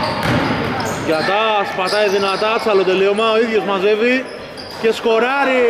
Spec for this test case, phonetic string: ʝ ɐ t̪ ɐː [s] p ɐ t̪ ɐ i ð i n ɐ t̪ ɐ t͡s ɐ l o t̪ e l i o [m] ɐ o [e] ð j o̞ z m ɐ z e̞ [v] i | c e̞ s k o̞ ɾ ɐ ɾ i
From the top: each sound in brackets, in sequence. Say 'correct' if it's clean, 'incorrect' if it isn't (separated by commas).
correct, correct, incorrect, correct